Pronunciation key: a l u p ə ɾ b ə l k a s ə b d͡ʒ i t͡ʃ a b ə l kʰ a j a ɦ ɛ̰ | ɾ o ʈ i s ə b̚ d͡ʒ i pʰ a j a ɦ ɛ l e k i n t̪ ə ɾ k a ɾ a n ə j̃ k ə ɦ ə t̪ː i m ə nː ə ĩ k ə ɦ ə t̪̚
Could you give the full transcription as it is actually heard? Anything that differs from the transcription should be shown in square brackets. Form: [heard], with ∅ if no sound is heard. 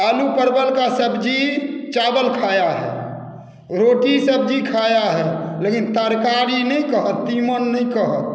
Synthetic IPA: a l u p ə ɾ b ə l k a s ə b d͡ʒ i t͡ʃ a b ə l kʰ a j a ɦ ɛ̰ | ɾ o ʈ i s ə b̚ d͡ʒ i [kʰ] a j a ɦ ɛ l e k i n t̪ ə ɾ k a ɾ [i] n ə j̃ k ə ɦ ə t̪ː i m ə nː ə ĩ k ə ɦ ə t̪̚